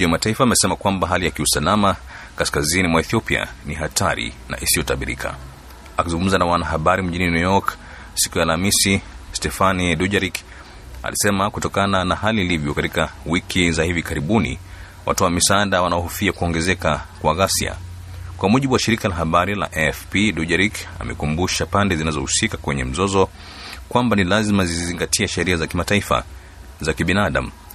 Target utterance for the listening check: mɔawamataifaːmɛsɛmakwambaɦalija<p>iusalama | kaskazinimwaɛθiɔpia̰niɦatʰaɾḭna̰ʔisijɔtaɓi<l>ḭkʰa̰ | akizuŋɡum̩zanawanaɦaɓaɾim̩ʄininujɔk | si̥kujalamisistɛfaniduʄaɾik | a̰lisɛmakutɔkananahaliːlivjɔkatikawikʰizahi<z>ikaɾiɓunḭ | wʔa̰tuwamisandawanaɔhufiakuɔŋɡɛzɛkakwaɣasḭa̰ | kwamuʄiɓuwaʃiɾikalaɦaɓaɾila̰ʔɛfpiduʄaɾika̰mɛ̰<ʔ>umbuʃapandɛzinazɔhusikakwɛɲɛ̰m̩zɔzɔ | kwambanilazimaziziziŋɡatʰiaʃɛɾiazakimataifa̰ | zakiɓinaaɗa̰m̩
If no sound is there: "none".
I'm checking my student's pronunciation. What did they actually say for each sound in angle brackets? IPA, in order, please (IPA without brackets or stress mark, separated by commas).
k, ɾ, v, k